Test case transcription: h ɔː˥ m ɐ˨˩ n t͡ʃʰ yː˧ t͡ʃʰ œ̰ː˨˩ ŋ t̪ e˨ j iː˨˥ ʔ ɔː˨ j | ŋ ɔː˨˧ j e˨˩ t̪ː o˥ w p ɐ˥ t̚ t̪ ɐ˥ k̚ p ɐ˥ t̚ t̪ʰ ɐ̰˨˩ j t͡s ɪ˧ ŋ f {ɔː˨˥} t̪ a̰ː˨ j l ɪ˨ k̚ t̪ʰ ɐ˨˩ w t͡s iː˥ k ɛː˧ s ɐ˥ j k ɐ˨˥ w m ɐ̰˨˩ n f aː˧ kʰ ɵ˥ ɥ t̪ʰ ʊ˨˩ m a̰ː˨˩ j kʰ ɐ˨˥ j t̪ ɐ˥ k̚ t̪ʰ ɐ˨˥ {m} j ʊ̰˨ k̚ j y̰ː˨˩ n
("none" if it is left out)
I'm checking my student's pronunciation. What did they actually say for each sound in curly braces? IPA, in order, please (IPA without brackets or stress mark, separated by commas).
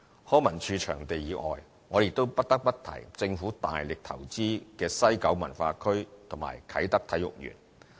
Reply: uː˨˥, none